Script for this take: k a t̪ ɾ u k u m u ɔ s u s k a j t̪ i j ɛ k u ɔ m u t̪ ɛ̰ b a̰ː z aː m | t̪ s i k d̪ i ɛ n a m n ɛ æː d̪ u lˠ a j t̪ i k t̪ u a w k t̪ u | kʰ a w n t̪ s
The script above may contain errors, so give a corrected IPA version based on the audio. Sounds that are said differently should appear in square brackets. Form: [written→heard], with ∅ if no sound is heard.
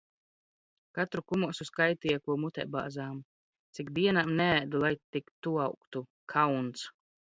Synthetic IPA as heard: k a t̪ ɾ u k u m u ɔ s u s k a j t̪ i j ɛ k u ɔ m u t̪ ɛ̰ b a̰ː z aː m | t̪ s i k d̪ i ɛ n a m n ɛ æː d̪ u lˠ a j t̪ i k t̪ u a w k t̪ u | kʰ a w n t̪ s